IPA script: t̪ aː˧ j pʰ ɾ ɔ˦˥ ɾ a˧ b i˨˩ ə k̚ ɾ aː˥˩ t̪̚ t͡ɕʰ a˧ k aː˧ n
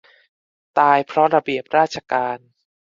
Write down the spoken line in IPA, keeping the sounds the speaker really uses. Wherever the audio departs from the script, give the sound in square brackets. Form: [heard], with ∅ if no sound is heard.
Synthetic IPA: t̪ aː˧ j pʰ ɾ ɔ˦˥ ɾ a˧ b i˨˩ ə [p̚] ɾ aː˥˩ t̪̚ t͡ɕʰ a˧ k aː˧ n